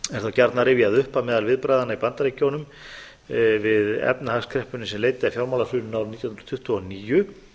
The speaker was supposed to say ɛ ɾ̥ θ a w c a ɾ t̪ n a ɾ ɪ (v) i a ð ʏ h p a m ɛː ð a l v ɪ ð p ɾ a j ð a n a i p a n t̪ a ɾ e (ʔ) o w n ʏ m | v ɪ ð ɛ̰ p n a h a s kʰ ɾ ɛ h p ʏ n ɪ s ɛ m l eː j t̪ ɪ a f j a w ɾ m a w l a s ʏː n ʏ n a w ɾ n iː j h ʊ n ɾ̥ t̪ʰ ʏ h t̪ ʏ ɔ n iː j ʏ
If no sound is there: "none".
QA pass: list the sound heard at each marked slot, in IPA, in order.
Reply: v, c

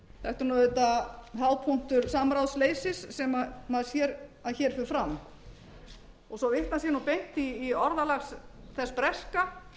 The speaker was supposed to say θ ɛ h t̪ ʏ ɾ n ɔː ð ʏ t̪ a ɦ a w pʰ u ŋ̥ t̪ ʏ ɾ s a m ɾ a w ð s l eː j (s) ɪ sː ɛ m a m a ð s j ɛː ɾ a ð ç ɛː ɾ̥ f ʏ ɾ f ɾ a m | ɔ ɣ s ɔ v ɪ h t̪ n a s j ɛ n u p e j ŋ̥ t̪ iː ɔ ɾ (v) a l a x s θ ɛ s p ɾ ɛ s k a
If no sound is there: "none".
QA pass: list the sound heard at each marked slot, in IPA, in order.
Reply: s, ð

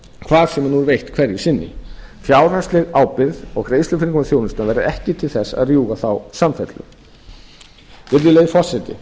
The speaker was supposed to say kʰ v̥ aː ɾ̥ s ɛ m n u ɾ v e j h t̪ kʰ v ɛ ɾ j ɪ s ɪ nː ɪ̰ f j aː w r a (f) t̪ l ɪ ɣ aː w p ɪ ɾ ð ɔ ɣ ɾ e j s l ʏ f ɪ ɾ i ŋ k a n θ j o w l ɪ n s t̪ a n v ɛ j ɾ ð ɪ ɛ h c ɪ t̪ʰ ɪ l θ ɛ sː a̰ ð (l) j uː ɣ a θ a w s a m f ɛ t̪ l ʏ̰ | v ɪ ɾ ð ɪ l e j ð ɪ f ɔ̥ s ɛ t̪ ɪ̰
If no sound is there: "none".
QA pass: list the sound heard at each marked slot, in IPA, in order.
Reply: s, r

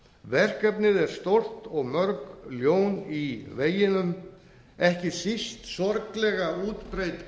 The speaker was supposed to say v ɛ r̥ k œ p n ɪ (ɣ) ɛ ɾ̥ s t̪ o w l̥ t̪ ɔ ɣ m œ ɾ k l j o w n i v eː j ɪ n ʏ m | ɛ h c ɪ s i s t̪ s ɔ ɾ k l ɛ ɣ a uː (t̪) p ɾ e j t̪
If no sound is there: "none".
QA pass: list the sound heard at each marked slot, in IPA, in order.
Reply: ð, t̪

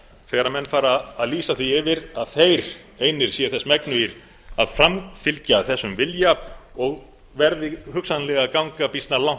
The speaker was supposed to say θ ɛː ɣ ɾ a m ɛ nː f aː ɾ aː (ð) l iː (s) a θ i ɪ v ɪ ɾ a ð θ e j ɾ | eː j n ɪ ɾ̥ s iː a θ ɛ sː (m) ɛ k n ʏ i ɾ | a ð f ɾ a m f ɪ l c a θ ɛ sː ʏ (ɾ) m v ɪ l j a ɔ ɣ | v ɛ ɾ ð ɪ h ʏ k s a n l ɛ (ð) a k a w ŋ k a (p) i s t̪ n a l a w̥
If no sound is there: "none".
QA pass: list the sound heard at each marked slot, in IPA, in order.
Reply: ð, s, m, none, ɣ, p

